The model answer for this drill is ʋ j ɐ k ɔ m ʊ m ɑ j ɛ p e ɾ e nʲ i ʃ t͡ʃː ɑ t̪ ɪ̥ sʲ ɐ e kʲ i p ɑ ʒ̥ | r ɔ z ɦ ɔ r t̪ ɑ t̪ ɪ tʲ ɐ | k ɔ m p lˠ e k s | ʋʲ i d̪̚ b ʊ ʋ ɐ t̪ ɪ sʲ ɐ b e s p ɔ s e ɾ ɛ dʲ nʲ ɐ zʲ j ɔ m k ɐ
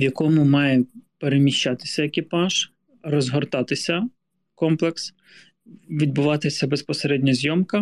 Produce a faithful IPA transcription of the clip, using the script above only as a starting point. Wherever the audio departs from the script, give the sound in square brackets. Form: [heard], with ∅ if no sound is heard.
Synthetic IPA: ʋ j ɐ k ɔ m ʊ m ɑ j ɛ p e ɾ e [mʲ] i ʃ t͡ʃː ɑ t̪ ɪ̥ sʲ ɐ e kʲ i p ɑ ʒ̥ | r ɔ z ɦ ɔ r t̪ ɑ t̪ ɪ [sʲ] ɐ | k ɔ m p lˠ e k s | ʋʲ i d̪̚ b ʊ ʋ [ɑ] t̪ ɪ sʲ ɐ b e s p ɔ s e ɾ ɛ dʲ nʲ ɐ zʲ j ɔ m k ɐ